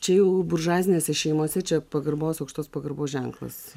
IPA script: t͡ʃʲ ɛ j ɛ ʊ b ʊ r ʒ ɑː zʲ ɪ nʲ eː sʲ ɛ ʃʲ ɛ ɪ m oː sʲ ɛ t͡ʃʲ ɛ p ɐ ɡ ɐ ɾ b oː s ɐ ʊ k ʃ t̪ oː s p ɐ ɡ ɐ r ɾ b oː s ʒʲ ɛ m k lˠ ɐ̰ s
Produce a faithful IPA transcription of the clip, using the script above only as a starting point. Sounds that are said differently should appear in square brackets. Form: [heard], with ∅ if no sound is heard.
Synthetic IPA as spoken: t͡ʃʲ ɛ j ɛ ʊ b ʊ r ʒ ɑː zʲ ɪ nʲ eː sʲ ɛ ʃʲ ɛ ɪ m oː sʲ ɛ t͡ʃʲ ɛ p ɐ ɡ ɐ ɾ b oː s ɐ ʊ k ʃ t̪ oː s p ɐ ɡ ɐ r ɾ b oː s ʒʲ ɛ [ŋ] k lˠ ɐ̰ s